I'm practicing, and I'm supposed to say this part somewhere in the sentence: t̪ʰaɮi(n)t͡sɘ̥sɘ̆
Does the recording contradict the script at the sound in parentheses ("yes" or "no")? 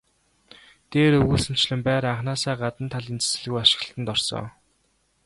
no